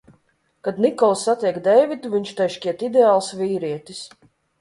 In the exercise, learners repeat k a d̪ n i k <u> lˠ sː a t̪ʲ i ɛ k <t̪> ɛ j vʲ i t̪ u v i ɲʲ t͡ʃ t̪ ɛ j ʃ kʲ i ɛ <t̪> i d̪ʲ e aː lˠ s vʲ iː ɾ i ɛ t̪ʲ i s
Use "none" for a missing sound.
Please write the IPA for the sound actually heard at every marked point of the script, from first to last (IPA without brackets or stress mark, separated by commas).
ɔ, d̪, t̪